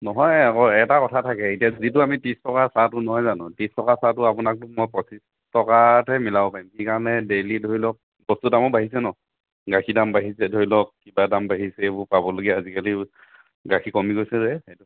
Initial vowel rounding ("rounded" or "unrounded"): rounded